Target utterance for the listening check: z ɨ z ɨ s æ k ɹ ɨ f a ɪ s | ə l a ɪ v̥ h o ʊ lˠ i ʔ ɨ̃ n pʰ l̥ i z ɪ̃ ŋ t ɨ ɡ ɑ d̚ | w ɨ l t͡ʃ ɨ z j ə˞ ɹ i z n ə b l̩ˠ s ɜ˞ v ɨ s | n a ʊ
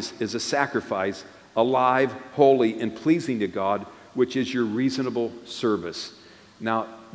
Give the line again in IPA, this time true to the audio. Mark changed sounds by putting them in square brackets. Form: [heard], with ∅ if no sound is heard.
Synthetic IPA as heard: z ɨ z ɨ s æ k ɹ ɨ f a ɪ s | ə l a ɪ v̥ h o ʊ lˠ i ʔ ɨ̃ n pʰ l̥ i z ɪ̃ ŋ t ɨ ɡ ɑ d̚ | w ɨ [∅] t͡ʃ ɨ z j ə˞ ɹ i z n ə b l̩ˠ s ɜ˞ v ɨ s | n a ʊ